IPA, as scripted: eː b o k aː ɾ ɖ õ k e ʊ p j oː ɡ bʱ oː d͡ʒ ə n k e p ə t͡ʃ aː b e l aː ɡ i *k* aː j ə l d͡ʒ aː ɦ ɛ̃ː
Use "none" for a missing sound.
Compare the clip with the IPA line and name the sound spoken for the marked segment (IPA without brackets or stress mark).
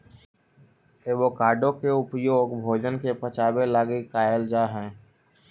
k